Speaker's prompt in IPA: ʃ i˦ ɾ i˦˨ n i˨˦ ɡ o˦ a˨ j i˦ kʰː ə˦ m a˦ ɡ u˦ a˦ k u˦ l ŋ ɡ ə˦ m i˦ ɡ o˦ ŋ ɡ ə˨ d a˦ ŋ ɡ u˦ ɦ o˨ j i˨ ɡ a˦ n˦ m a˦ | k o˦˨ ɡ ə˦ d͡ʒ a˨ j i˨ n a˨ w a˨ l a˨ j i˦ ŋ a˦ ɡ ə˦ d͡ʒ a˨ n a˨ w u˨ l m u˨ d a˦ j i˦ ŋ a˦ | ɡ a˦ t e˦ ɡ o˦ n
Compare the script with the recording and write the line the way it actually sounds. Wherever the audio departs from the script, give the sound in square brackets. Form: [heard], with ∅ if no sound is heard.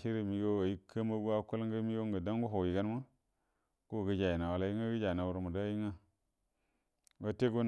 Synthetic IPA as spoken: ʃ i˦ ɾ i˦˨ [m] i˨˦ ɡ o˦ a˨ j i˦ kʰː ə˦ m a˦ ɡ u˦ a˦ k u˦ l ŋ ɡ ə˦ m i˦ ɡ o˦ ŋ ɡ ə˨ d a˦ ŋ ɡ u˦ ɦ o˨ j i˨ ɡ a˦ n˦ m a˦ | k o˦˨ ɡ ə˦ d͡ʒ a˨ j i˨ n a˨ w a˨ l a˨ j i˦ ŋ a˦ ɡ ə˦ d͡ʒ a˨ n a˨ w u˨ [ɾ] m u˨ d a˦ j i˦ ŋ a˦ | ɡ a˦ t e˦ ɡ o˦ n